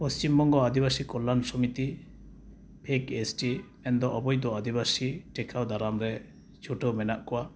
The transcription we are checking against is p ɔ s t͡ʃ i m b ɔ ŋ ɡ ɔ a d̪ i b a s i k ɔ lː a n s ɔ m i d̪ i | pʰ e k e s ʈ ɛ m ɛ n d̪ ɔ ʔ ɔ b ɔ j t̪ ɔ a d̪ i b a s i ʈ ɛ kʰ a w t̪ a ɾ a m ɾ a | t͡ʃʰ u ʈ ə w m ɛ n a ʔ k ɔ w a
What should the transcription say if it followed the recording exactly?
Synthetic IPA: p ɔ s t͡ʃ i m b ɔ ŋ ɡ ɔ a d̪ i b a s i k ɔ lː a n s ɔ m i t̪ i | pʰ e k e s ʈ i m ɛ n d̪ ɔ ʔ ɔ b ɔ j d̪ ɔ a d̪ i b a s i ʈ ɛ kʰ a w d̪ a ɾ a m ɾ ɛ | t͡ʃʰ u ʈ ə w m ɛ n a ʔ k ɔ w a